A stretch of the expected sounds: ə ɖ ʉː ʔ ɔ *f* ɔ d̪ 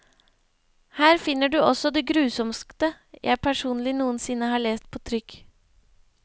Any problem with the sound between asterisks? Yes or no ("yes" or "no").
yes